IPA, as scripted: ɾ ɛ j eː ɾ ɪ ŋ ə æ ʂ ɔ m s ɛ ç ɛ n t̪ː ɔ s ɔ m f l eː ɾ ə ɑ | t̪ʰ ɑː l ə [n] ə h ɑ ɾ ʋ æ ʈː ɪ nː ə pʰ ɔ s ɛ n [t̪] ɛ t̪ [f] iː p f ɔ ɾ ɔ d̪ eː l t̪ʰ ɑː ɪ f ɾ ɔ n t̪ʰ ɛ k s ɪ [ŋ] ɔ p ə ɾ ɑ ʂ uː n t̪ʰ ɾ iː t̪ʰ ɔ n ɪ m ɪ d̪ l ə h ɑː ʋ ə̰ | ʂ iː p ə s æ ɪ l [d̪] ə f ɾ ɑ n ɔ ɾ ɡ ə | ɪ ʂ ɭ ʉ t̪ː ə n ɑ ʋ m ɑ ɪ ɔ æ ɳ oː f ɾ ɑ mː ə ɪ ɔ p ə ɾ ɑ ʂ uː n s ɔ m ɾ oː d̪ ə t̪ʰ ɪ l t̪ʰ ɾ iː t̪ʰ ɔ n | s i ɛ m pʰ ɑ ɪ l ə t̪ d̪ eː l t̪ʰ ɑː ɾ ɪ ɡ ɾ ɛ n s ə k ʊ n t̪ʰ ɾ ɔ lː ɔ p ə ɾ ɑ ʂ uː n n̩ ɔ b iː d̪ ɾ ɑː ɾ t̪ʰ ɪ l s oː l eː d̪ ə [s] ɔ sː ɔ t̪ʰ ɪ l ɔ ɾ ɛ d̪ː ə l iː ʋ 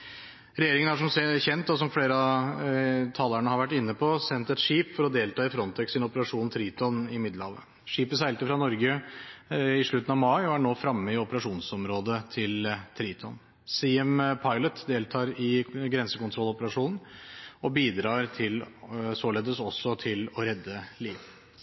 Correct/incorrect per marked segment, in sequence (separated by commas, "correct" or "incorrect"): incorrect, correct, incorrect, incorrect, incorrect, correct